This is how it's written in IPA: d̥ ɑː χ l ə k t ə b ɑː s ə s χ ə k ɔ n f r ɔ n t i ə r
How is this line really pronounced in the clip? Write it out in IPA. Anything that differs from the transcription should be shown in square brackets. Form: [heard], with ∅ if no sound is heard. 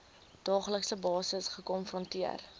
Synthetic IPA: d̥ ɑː χ l ə k [s] ə b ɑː s ə s χ ə k ɔ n f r ɔ n t i ə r